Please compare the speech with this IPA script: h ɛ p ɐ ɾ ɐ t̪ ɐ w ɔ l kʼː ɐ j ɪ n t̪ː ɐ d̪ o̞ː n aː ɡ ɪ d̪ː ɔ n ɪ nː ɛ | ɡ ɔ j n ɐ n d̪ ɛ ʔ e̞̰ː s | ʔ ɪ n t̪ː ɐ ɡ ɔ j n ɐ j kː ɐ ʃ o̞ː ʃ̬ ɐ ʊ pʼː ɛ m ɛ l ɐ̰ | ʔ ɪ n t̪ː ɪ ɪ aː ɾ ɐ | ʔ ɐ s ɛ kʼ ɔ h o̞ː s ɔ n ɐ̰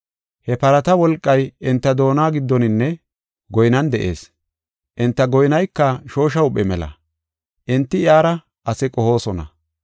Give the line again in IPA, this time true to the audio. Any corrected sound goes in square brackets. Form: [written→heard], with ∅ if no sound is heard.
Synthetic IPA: h ɛ p ɐ ɾ ɐ t̪ ɐ w ɔ l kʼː ɐ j ɪ n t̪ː ɐ d̪ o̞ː n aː ɡ ɪ d̪ː ɔ n ɪ nː ɛ | ɡ ɔ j n ɐ n d̪ ɛ ʔ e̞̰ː s | ʔ ɪ n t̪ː ɐ ɡ ɔ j n ɐ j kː ɐ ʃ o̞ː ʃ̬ ɐ ʊ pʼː ɛ m ɛ l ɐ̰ | ʔ ɪ n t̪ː ɪ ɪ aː ɾ ɐ | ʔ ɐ s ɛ kʼ ɔ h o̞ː s ɔ n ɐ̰

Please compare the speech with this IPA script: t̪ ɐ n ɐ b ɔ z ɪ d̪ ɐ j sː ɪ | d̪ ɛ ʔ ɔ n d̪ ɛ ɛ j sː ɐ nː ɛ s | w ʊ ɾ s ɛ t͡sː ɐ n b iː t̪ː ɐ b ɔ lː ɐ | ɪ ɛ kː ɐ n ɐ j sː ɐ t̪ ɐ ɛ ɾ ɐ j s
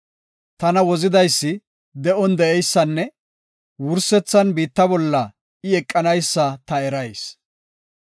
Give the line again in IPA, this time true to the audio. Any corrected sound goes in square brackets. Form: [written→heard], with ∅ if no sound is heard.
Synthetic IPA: t̪ ɐ n ɐ [b→w] ɔ z ɪ d̪ ɐ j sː ɪ | d̪ ɛ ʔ ɔ n d̪ ɛ ɛ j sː ɐ nː ɛ [s→∅] | w ʊ ɾ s ɛ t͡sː ɐ n b iː t̪ː ɐ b ɔ lː ɐ | ɪ ɛ [kː→kʼː] ɐ n ɐ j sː ɐ t̪ ɐ ɛ ɾ ɐ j s

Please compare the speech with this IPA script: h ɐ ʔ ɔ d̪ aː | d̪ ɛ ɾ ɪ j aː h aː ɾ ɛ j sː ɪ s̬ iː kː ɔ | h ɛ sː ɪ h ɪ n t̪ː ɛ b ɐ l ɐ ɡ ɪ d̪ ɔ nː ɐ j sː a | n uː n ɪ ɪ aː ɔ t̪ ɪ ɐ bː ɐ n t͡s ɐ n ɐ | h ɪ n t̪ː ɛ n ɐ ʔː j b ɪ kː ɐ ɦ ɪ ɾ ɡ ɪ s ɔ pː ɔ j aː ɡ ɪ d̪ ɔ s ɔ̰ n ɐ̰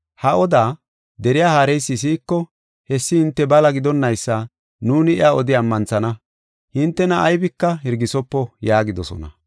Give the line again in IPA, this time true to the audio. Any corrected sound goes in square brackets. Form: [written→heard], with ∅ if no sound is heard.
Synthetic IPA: h ɐ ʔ ɔ d̪ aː | d̪ ɛ ɾ ɪ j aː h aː ɾ ɛ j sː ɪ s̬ iː kː ɔ | h ɛ sː ɪ h ɪ n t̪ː ɛ b ɐ l ɐ ɡ ɪ d̪ ɔ nː ɐ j sː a | n uː n ɪ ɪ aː ɔ [t̪→d̪] ɪ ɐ [bː→mː] ɐ n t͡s ɐ n ɐ | h ɪ n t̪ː ɛ n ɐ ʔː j b ɪ kː ɐ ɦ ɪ ɾ ɡ ɪ s ɔ pː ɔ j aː ɡ ɪ d̪ ɔ s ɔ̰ n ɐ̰

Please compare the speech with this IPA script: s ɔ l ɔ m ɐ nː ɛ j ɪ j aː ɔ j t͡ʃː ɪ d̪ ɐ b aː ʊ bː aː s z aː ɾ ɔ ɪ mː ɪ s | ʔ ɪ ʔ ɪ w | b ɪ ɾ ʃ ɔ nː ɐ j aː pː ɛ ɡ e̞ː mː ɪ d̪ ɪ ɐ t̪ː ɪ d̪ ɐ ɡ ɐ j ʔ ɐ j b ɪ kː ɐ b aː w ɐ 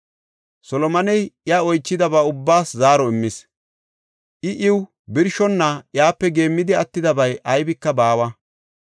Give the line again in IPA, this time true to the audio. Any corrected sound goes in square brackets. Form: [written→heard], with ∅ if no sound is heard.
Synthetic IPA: s ɔ l ɔ m ɐ [nː→n] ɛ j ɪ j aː ɔ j t͡ʃː ɪ d̪ ɐ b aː ʊ bː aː s z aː ɾ ɔ ɪ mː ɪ s | ʔ ɪ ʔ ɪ w | b ɪ ɾ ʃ ɔ nː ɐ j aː pː ɛ ɡ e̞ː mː ɪ d̪ ɪ ɐ t̪ː ɪ d̪ ɐ [ɡ→b] ɐ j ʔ ɐ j b ɪ kː ɐ b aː w ɐ

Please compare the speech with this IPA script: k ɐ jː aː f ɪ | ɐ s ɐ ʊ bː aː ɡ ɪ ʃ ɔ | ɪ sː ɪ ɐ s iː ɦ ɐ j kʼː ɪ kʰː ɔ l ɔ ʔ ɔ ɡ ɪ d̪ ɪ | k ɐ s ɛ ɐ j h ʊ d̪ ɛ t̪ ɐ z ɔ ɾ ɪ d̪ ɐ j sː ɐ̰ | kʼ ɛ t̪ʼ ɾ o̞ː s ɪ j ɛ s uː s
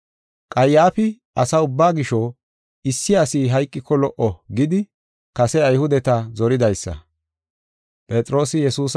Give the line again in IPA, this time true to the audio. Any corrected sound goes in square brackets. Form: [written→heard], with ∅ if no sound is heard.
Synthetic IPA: [k→kʼ] ɐ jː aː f ɪ | ɐ s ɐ ʊ bː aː ɡ ɪ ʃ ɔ | ɪ sː ɪ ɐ s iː ɦ ɐ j kʼː ɪ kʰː ɔ l ɔ ʔ ɔ ɡ ɪ d̪ ɪ | k ɐ s ɛ ɐ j h ʊ d̪ ɛ t̪ ɐ z ɔ ɾ ɪ d̪ ɐ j sː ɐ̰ | [kʼ→pʼ] ɛ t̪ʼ ɾ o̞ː s ɪ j ɛ s uː s

